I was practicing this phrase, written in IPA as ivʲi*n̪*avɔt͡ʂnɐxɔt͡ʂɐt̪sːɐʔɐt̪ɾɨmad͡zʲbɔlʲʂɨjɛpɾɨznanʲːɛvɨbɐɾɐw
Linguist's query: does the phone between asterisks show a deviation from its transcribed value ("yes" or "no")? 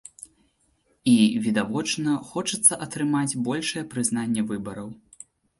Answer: yes